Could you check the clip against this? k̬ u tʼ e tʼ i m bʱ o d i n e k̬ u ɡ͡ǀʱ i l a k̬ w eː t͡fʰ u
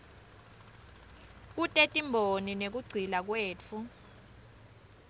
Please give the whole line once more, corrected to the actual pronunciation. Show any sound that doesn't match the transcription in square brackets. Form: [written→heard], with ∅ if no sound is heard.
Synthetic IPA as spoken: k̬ u tʼ e tʼ i m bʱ o [d→n] i n e k̬ u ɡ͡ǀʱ i l a k̬ w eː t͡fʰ u